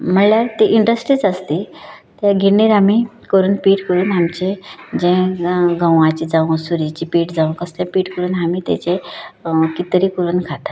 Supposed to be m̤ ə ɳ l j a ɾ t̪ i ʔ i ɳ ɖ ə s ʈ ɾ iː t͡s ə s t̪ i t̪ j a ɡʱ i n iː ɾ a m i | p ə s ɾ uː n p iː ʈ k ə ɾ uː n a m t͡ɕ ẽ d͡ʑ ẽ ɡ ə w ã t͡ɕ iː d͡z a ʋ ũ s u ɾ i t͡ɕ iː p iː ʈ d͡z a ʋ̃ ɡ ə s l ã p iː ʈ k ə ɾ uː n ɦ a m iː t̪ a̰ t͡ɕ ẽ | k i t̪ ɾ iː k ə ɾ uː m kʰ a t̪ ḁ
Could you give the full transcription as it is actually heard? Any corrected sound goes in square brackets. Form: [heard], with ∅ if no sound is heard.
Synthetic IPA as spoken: m̤ ə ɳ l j a ɾ t̪ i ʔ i ɳ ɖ ə s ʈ ɾ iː t͡s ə s t̪ i t̪ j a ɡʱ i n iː ɾ a m i | [k] ə [∅] ɾ uː n p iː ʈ k ə ɾ uː n a m t͡ɕ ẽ d͡ʑ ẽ ɡ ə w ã t͡ɕ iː d͡z a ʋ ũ s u ɾ i t͡ɕ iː p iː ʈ d͡z a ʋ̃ [k] ə s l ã p iː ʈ k ə ɾ uː n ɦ a m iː t̪ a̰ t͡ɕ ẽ | k i t̪ ɾ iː k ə ɾ uː [n] kʰ a t̪ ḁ